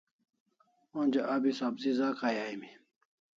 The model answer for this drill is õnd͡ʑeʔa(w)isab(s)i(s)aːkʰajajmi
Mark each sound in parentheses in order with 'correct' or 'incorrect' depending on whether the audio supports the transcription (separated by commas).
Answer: incorrect, incorrect, incorrect